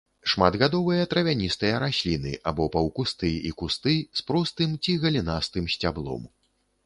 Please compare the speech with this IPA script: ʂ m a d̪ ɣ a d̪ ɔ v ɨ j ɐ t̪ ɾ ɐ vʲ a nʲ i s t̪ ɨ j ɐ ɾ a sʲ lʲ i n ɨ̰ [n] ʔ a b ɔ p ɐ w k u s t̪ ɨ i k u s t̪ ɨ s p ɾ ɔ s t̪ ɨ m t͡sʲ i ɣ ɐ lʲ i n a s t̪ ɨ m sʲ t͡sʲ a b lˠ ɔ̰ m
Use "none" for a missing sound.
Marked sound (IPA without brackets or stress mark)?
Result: none